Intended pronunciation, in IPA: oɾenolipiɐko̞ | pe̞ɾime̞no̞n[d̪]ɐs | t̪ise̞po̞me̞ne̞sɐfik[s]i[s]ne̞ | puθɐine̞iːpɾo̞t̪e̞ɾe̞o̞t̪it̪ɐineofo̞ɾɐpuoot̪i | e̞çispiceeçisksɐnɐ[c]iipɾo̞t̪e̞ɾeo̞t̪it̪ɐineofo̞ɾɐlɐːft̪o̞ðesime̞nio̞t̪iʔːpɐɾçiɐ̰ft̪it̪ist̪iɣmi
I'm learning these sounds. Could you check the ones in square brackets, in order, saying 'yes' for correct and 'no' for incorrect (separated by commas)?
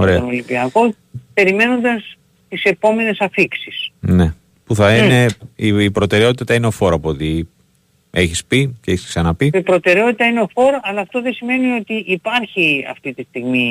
yes, yes, yes, no